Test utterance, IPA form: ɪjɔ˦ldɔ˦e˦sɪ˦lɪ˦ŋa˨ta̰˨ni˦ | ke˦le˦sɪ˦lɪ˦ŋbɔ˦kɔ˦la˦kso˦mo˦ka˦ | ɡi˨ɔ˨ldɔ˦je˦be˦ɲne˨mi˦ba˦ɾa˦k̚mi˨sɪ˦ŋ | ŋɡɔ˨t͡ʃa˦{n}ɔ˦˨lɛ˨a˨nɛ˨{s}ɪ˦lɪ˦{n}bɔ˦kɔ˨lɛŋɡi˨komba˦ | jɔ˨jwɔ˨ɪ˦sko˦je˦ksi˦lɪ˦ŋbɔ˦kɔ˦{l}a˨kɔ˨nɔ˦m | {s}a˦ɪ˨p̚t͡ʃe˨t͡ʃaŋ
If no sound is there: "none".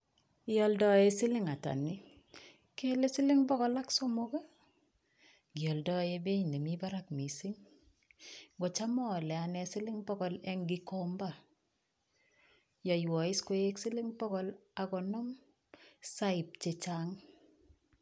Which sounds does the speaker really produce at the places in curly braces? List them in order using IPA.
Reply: m, s, ŋ, l, s

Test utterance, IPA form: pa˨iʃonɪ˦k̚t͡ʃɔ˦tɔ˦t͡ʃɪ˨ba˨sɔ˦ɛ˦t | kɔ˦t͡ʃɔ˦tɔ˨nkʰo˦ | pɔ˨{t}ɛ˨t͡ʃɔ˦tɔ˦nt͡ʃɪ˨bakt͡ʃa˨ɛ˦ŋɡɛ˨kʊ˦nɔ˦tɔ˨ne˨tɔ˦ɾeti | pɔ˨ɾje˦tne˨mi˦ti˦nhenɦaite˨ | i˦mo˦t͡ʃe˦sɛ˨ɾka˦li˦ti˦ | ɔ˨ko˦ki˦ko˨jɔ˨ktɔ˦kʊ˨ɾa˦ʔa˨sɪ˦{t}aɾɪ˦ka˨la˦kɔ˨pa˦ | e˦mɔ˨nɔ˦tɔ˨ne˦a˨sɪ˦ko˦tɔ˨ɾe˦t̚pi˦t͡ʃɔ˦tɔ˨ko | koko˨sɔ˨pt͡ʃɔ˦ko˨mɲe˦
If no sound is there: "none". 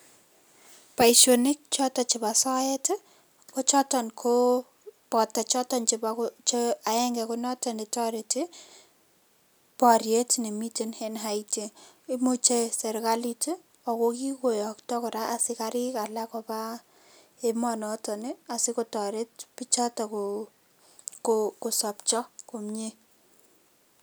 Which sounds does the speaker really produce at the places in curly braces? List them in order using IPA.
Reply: t, k

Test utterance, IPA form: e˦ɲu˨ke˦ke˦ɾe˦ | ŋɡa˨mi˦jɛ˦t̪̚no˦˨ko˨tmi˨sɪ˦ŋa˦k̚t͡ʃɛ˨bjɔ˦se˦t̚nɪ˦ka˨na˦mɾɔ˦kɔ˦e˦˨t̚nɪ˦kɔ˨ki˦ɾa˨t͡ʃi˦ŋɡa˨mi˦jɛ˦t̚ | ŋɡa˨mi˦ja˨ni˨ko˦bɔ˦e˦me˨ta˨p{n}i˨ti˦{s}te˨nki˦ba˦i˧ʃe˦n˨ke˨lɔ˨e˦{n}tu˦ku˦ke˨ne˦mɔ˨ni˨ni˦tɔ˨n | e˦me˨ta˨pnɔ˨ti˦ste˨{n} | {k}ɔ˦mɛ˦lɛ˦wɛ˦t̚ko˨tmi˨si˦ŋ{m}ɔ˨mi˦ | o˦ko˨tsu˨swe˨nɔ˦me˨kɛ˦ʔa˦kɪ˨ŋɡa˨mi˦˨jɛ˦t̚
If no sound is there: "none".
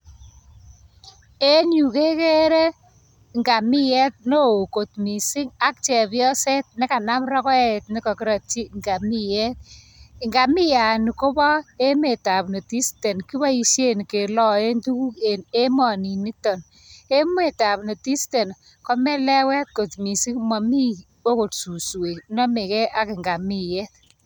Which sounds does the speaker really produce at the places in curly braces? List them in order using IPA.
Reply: n, s, n, n, k, m

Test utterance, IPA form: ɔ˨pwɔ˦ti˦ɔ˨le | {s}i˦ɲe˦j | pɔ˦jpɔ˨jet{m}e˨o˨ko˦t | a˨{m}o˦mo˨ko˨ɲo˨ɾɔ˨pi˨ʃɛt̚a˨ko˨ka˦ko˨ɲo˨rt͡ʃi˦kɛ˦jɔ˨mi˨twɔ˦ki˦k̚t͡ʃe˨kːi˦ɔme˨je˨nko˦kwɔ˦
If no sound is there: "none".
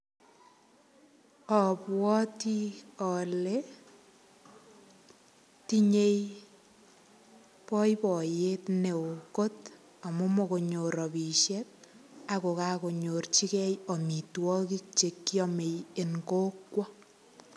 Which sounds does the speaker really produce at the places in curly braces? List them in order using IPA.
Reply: t, n, m

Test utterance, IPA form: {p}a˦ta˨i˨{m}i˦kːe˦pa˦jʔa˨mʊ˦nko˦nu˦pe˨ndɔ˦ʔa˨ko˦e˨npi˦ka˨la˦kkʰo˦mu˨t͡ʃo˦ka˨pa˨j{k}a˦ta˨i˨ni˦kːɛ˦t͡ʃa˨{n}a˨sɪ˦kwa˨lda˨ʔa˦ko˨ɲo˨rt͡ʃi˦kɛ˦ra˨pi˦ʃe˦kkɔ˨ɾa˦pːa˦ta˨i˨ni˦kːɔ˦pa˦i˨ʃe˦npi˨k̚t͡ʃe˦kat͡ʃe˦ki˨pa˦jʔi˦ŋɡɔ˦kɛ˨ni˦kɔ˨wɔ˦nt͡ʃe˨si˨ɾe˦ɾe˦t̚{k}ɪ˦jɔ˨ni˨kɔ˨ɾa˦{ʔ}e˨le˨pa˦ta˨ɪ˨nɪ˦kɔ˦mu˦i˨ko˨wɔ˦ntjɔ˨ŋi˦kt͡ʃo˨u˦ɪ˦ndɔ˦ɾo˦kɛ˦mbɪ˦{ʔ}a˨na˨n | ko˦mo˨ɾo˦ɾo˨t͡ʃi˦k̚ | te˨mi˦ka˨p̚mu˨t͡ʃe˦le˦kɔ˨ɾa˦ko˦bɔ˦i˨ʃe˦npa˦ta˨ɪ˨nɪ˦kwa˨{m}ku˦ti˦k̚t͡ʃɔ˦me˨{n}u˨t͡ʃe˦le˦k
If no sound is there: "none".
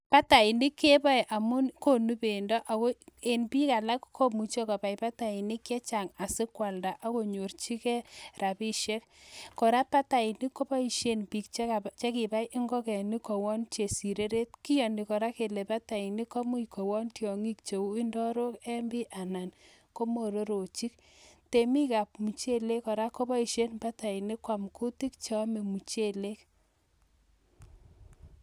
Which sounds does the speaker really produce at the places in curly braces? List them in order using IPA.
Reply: p, n, p, ŋ, k, k, ʔ, m, m

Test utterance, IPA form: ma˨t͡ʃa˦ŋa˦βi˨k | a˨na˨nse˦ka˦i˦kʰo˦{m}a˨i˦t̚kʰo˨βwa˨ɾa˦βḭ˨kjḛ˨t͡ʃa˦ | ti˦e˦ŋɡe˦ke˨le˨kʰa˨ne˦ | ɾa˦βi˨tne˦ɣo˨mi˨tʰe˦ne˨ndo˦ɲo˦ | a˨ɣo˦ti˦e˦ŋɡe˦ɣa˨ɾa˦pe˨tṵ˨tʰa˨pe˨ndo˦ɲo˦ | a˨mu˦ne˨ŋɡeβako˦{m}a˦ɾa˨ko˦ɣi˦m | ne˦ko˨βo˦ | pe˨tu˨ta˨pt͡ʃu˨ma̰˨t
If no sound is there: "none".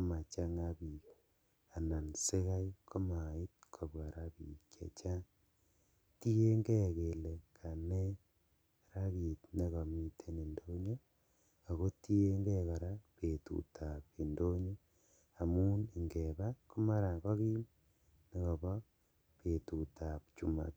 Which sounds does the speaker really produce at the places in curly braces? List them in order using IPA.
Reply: m, m

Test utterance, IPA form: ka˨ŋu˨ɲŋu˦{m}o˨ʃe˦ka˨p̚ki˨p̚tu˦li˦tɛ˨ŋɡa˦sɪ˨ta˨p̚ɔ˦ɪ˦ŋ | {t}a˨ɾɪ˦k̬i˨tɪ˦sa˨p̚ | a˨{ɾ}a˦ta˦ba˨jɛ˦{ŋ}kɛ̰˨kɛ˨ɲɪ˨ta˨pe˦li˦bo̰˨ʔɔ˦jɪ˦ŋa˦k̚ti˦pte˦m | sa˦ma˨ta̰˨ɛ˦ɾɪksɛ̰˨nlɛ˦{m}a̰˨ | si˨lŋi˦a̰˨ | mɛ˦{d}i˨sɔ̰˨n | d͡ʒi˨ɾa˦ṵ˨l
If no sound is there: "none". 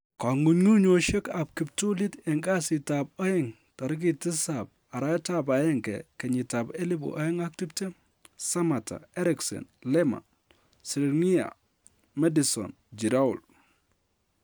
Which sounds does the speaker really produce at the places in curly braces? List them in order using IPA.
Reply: ɲ, t, ɾ, ŋ, m, d

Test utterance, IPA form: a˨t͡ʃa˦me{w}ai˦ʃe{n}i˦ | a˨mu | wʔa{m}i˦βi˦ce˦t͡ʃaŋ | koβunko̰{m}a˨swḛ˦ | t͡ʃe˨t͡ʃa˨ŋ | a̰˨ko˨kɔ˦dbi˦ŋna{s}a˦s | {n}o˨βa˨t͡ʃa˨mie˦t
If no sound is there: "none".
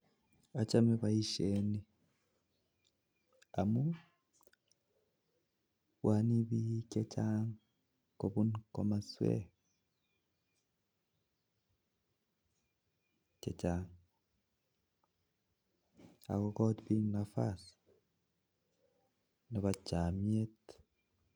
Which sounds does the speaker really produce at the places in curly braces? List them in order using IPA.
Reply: β, n, n, m, f, n

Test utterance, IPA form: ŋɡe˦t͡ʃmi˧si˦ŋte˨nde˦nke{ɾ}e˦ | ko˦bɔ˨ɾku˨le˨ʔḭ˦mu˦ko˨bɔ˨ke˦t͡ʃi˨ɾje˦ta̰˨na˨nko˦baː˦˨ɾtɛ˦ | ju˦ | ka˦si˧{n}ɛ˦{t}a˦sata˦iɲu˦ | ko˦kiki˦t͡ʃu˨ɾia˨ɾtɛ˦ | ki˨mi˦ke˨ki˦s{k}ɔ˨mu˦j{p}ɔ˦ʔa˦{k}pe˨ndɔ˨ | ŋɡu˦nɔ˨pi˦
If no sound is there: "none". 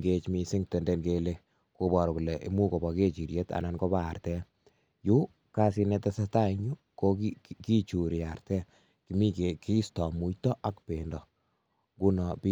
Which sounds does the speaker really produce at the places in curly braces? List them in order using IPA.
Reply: l, n, t, t, t, k

